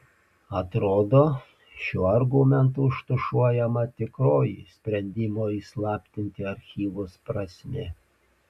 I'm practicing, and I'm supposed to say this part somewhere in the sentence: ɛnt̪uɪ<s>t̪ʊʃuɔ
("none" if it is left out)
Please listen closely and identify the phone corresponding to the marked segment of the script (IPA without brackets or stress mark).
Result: ʃ